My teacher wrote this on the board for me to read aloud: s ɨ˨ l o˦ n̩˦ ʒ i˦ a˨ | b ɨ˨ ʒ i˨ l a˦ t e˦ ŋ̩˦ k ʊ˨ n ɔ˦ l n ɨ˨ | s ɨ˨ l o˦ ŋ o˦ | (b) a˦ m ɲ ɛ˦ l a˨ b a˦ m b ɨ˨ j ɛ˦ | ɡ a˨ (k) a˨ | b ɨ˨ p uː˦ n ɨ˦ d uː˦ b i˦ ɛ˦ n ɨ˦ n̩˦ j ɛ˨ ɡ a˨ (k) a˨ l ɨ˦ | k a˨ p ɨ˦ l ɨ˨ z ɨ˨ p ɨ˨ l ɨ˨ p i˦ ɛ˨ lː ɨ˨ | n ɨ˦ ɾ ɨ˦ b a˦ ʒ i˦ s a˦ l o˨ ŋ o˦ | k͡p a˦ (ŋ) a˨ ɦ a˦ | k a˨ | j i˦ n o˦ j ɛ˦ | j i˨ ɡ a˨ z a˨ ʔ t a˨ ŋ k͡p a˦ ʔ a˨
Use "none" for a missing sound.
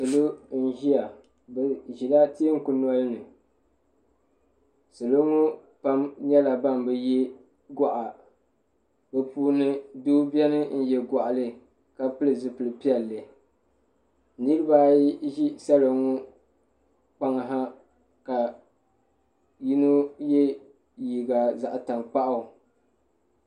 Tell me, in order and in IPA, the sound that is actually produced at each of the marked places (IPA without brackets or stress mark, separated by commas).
p, ʔ, ʔ, ŋ